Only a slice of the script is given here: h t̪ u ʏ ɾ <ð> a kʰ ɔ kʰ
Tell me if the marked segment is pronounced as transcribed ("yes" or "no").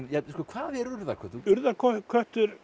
yes